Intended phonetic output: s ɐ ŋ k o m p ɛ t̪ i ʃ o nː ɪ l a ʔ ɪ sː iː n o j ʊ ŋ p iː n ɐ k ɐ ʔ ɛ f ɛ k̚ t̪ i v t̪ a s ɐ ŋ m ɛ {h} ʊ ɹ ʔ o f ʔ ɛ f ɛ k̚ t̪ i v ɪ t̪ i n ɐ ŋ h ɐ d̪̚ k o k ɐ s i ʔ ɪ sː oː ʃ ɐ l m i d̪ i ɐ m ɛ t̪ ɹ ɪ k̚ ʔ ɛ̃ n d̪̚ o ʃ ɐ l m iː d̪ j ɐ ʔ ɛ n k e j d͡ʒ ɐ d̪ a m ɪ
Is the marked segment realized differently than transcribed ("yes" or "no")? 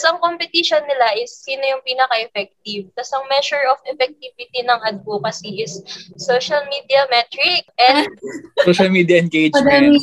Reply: yes